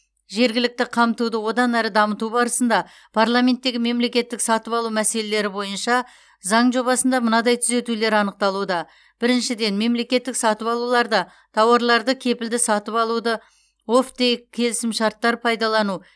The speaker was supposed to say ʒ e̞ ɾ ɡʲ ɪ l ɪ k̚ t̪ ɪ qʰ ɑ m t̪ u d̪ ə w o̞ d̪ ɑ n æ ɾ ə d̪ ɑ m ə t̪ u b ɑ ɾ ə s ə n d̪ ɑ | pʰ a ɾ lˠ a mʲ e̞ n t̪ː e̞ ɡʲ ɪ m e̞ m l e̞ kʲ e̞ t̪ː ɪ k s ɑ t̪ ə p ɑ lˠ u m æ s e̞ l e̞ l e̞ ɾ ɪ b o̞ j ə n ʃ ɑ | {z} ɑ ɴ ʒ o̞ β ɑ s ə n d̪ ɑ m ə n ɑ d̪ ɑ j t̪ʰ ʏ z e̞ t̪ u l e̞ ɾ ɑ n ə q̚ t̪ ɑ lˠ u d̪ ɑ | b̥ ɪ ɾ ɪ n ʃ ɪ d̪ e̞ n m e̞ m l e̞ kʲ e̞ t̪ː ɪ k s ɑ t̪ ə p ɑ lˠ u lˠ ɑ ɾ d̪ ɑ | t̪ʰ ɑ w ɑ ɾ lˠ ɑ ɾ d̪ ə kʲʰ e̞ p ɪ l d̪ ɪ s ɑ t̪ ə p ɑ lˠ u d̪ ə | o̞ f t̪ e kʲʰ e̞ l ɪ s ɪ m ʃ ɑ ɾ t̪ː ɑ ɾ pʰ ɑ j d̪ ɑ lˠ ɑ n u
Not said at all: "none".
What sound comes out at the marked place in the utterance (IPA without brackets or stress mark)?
z